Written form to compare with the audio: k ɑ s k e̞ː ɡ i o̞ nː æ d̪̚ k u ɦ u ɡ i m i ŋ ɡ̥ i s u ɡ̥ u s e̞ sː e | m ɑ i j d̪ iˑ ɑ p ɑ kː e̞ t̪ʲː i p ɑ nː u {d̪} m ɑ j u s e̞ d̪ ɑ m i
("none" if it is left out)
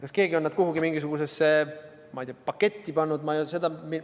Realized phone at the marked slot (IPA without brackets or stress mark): d̪